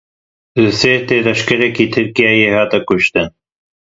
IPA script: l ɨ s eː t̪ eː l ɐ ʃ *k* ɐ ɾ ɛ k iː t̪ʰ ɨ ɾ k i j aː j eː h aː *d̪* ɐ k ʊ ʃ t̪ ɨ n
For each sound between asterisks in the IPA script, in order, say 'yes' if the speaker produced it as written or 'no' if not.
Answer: yes, no

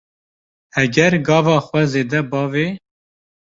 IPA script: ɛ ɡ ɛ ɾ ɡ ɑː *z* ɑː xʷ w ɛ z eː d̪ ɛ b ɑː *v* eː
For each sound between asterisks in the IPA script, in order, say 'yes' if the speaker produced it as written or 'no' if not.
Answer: no, yes

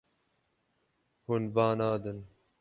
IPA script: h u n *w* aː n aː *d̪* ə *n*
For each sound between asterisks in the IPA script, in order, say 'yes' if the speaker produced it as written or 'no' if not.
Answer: no, yes, yes

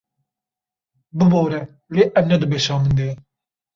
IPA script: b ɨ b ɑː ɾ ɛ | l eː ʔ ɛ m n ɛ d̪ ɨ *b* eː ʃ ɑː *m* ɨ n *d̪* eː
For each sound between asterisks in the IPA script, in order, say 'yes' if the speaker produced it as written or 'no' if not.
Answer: yes, yes, yes

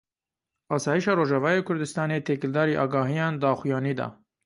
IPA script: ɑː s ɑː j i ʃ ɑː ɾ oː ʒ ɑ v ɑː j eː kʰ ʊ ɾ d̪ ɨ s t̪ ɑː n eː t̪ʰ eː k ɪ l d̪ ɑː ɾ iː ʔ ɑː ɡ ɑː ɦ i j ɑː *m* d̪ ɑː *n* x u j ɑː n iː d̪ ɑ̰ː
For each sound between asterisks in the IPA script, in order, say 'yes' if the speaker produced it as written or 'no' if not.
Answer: no, no

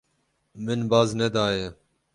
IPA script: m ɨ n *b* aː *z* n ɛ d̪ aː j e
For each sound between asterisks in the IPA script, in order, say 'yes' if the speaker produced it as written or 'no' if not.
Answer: yes, yes

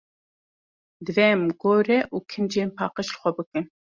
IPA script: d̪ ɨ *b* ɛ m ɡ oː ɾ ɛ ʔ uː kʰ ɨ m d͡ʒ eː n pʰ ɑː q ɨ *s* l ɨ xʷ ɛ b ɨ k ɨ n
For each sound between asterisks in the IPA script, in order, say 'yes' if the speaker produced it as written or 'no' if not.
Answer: no, no

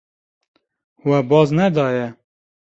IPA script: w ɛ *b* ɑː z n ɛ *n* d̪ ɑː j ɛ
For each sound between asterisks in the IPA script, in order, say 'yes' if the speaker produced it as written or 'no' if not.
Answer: yes, no

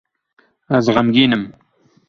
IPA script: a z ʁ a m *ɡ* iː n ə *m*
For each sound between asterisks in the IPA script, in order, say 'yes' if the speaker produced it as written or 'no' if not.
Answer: yes, yes

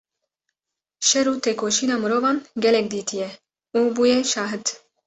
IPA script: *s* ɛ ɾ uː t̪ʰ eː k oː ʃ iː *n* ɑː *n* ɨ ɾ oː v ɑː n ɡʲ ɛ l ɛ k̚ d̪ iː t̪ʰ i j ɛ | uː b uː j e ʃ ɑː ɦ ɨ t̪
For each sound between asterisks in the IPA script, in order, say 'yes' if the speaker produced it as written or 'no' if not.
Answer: no, yes, no

